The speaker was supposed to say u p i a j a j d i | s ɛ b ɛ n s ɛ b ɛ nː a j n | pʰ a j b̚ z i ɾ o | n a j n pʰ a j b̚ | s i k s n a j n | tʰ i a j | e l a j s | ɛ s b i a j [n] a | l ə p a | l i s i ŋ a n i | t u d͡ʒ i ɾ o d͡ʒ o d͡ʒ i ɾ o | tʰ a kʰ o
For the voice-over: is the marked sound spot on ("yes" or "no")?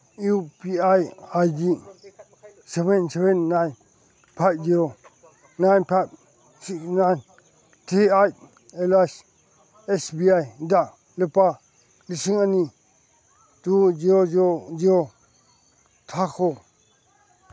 no